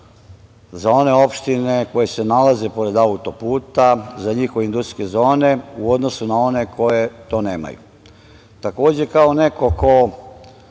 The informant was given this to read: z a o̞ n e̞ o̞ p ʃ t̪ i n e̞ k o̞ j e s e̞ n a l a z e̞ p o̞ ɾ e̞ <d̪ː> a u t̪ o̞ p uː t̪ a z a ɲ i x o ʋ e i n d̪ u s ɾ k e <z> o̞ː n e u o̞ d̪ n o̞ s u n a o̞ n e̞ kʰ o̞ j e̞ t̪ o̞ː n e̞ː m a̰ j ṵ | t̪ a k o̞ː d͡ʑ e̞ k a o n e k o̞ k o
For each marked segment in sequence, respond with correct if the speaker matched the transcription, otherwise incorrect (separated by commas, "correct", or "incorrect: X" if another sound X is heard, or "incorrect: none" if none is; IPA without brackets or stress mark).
incorrect: d̪, correct